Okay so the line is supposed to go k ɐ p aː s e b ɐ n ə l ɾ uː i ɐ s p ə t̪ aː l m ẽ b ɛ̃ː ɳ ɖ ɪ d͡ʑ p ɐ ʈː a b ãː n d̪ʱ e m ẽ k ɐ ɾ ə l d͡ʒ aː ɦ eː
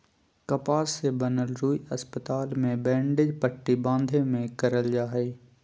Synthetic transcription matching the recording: k ɐ p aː s e b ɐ n ə l ɾ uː i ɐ s p ə t̪ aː l m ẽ b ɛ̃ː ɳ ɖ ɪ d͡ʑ p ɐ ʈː i b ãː n d̪ʱ e m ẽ k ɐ ɾ ə l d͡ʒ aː ɦ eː